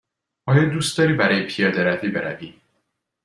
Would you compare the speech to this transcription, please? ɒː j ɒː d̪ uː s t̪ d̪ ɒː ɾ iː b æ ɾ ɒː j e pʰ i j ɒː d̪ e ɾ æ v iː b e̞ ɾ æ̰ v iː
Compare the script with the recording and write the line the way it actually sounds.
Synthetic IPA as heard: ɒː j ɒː d̪ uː s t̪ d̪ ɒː ɾ iː b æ ɾ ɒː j e pʰ i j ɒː d̪ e ɾ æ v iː b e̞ ɾ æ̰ v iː